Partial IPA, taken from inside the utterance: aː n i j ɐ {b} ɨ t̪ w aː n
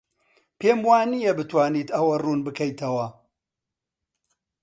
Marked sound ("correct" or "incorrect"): correct